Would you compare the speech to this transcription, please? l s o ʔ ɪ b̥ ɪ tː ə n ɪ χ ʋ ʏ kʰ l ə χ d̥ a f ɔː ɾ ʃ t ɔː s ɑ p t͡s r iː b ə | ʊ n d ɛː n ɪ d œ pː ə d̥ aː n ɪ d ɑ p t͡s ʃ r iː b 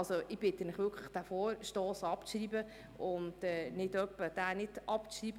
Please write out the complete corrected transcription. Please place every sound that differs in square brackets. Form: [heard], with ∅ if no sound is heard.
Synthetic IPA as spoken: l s o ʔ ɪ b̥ ɪ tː ə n ɪ χ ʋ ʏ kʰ l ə χ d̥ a f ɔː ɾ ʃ t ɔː s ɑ p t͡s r iː b ə | ʊ n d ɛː n ɪ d œ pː ə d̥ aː n ɪ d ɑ p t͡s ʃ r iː b